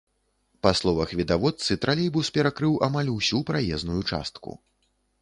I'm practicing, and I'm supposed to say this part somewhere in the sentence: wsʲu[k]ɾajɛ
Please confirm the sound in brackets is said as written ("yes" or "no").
no